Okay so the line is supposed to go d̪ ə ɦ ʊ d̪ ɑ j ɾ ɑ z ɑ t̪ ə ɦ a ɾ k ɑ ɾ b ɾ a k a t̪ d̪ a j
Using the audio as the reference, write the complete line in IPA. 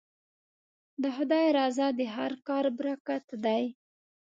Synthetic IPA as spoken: d̪ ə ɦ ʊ d̪ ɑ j ɾ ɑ z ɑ d̪ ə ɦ a ɾ k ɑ ɾ b ɾ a k a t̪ d̪ a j